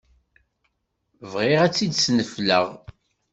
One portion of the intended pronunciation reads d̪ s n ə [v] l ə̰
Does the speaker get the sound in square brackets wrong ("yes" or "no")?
yes